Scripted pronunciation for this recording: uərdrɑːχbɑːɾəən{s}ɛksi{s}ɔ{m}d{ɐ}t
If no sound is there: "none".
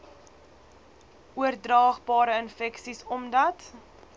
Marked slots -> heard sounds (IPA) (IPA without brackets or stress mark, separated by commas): f, s, m, ɐ